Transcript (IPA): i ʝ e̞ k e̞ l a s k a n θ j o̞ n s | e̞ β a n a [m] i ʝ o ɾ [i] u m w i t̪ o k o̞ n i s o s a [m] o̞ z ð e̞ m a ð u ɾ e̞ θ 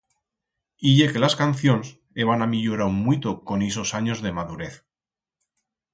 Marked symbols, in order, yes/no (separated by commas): yes, no, no